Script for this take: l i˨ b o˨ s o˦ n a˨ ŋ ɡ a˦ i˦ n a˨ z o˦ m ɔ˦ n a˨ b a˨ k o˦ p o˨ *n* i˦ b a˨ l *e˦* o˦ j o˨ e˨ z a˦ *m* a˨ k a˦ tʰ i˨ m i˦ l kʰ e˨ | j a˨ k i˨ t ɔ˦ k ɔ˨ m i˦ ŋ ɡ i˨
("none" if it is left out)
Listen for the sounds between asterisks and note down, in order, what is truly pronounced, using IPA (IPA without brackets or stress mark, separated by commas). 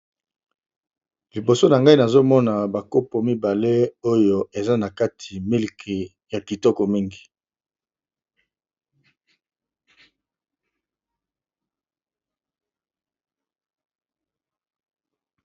m, e˦, n